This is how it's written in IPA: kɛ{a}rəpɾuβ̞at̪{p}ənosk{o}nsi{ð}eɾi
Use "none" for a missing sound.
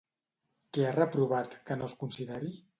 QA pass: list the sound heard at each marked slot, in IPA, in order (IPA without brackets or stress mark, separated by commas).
a, k, u, ð